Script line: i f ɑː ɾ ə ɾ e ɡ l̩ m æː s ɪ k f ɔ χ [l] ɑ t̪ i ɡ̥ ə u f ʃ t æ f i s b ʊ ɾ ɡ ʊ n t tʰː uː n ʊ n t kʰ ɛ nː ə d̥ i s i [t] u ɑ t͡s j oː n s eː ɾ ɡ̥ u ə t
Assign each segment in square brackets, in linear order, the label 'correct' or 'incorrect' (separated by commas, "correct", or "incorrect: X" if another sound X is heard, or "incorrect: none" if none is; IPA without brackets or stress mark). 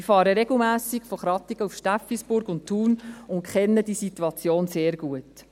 incorrect: ɾ, correct